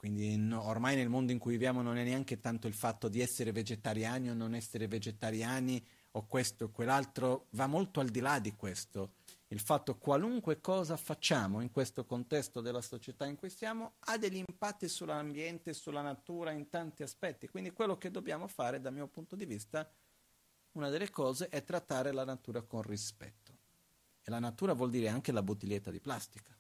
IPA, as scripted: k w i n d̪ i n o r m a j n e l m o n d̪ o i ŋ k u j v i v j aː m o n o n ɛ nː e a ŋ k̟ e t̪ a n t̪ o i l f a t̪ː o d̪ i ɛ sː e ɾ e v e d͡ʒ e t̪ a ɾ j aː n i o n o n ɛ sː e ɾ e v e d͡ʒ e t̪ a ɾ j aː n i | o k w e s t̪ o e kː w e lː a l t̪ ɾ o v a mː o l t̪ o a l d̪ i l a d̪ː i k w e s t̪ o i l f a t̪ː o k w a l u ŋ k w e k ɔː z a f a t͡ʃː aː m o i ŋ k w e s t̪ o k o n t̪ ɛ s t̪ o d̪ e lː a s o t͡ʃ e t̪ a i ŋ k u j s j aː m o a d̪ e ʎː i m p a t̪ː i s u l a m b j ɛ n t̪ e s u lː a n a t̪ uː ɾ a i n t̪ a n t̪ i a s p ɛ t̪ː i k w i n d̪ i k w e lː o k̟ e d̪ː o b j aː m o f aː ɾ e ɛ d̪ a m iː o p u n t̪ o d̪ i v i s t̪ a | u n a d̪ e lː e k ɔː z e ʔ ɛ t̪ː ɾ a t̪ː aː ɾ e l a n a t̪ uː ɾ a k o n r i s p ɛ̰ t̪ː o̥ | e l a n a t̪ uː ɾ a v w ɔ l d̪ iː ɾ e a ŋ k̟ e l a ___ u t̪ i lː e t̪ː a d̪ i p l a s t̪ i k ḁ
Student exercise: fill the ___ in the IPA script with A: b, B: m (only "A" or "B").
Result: A